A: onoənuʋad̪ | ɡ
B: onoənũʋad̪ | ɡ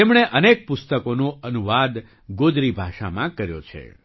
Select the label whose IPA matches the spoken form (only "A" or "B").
A